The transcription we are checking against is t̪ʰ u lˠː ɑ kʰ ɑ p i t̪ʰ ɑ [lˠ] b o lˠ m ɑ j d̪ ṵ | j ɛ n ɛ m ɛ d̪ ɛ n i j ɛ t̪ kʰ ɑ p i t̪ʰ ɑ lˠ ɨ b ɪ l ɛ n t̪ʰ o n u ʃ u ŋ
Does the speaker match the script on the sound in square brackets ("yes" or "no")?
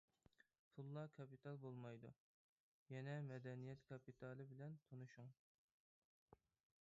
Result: yes